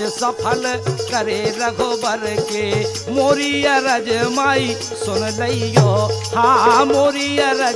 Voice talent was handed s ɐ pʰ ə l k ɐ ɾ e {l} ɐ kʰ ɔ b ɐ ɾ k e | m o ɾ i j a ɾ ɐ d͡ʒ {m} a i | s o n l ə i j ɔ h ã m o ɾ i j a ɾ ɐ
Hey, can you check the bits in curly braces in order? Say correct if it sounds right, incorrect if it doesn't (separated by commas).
incorrect, correct